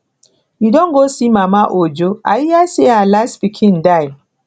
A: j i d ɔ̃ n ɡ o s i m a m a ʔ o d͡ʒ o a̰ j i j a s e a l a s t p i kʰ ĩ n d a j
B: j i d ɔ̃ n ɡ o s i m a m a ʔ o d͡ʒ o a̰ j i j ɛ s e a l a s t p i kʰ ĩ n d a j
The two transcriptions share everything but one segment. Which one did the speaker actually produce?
A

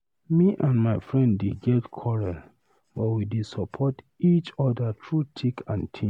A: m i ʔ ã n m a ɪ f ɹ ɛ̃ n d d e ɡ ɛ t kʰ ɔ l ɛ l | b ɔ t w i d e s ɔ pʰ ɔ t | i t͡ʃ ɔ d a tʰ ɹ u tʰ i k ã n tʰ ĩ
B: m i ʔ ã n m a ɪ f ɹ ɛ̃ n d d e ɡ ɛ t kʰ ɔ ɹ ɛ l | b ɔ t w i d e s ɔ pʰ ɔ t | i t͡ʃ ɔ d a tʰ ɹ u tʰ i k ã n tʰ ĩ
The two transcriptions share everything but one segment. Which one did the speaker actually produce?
B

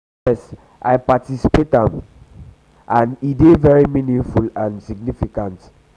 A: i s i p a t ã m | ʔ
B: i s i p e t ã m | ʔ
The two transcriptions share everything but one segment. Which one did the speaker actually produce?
B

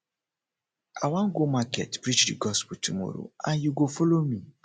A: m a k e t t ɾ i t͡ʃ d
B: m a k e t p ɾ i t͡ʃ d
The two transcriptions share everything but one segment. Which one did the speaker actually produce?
B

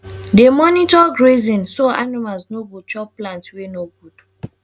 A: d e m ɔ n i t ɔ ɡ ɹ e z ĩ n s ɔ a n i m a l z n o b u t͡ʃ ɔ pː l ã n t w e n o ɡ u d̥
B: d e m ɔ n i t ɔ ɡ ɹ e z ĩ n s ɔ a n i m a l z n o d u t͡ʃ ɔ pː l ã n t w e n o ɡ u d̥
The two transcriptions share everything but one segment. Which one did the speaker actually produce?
A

